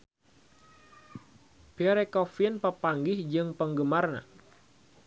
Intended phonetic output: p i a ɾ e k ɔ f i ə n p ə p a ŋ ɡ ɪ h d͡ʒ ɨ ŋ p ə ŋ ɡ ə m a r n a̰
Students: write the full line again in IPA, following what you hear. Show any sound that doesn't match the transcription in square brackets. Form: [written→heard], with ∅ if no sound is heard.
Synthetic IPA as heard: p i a ɾ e k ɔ f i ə n p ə p a ŋ ɡ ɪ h d͡ʒ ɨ ŋ p ə ŋ ɡ ə m a r n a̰

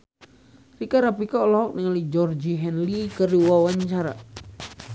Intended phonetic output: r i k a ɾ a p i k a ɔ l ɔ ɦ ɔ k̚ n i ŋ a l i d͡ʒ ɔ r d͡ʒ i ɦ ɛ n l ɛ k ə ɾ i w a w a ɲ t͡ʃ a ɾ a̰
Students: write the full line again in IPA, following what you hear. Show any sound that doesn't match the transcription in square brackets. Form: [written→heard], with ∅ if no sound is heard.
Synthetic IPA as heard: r i k a ɾ a p i k a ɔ l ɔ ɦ ɔ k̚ n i ŋ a l i d͡ʒ ɔ r d͡ʒ i ɦ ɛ n l [ɛ→i] k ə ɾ i w a w a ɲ t͡ʃ a ɾ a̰

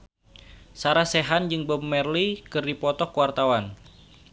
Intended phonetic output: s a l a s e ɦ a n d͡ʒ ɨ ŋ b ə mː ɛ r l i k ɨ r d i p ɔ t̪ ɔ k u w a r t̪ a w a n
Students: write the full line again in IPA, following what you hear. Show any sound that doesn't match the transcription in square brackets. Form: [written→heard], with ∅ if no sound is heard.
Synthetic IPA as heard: s a [l→ɾ] a s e ɦ a n d͡ʒ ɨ ŋ b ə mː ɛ r l i k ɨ r d i p ɔ t̪ ɔ k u w a r t̪ a w a n

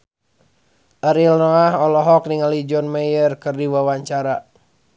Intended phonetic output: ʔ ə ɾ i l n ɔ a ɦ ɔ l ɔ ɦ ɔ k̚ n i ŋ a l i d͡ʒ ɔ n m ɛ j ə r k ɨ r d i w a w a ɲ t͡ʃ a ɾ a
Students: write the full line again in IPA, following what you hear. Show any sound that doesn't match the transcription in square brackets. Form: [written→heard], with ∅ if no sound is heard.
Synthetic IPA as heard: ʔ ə ɾ i l n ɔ a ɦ ɔ l ɔ ɦ ɔ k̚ n i ŋ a l i d͡ʒ ɔ n m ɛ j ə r k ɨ r d i w a w a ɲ t͡ʃ a ɾ a

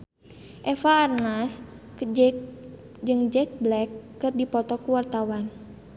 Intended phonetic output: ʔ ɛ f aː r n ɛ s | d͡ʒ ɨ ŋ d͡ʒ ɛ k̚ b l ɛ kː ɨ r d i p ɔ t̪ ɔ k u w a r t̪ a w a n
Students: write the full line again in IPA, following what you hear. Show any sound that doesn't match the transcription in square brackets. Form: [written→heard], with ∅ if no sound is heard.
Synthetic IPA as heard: ʔ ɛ f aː r n [ɛ→a] s | d͡ʒ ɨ ŋ d͡ʒ ɛ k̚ b l ɛ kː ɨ r d i p ɔ t̪ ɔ k u w a r t̪ a w a n

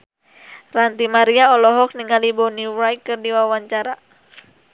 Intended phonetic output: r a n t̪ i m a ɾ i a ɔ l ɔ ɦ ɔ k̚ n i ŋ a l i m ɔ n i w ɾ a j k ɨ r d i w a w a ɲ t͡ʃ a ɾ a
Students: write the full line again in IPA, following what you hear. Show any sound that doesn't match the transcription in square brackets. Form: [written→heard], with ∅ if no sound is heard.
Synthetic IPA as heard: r a n t̪ i m a ɾ i a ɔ l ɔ ɦ ɔ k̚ n i ŋ a l i [m→b] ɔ n i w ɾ a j k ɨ r d i w a w a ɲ t͡ʃ a ɾ a

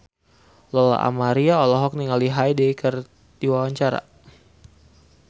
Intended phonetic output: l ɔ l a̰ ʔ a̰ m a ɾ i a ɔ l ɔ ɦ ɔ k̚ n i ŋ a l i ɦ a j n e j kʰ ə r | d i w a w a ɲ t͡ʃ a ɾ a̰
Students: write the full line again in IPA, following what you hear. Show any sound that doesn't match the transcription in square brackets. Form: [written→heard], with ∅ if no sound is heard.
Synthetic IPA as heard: l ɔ l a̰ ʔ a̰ m a ɾ i a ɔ l ɔ ɦ ɔ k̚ n i ŋ a l i ɦ a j [n→d] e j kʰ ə r | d i w a w a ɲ t͡ʃ a ɾ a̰

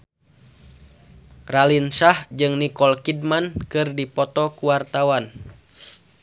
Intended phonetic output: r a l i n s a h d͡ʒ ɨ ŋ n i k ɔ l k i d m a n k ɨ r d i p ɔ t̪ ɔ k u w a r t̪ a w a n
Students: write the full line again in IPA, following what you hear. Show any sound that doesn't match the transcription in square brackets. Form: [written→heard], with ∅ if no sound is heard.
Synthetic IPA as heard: r a l i n s a h d͡ʒ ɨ ŋ n i k ɔ l k i d m a n k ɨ r d i p ɔ t̪ ɔ k u w a r t̪ a w a n

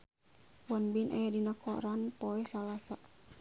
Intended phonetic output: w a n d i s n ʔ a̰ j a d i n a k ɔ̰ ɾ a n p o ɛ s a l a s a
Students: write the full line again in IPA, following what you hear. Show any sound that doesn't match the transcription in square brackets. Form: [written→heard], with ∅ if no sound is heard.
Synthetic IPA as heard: w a n [d→b] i [s→∅] n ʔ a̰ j a d i n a k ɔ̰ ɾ a n p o ɛ s a l a s a

